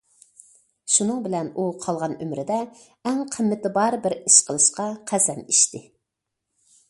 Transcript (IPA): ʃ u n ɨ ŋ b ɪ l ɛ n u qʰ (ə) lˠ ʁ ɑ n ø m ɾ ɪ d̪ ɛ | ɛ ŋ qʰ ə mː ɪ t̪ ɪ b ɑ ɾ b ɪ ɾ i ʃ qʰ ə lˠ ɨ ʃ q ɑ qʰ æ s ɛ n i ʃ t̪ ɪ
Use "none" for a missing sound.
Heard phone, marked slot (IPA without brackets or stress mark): ɑ